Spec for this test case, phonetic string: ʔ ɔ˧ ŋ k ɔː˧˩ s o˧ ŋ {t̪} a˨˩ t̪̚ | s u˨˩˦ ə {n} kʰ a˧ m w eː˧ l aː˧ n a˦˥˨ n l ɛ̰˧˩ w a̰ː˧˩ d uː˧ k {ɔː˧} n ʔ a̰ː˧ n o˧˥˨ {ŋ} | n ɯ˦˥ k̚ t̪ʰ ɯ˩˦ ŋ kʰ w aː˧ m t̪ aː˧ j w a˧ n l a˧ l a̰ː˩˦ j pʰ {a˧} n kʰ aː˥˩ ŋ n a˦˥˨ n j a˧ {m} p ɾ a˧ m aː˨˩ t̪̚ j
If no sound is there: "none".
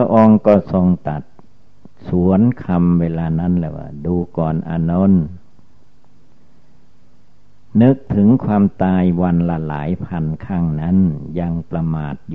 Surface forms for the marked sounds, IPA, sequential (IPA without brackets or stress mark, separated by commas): t̪, n, ɔː˨˩, n, a˧, ŋ